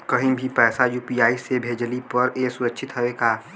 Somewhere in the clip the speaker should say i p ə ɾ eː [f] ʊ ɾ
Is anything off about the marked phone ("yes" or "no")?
yes